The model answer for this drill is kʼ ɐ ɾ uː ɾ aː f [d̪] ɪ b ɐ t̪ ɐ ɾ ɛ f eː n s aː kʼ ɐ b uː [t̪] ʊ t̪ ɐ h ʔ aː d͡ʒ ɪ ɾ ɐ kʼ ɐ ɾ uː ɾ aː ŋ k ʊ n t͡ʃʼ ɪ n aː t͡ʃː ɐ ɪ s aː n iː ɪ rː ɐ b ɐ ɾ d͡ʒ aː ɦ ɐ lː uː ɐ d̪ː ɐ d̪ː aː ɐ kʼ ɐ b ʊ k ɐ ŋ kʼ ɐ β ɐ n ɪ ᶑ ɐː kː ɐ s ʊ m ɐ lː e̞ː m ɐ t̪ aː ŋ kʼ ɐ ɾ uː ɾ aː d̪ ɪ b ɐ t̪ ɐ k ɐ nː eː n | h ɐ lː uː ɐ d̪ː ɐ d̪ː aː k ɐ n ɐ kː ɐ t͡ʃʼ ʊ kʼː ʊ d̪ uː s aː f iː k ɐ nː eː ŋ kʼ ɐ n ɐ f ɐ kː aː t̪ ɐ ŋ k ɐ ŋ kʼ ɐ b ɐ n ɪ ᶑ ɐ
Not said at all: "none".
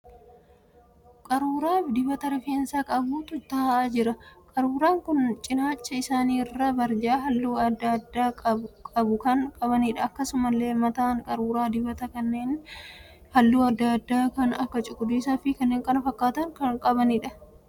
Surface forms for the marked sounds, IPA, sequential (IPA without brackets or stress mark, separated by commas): d̪, t̪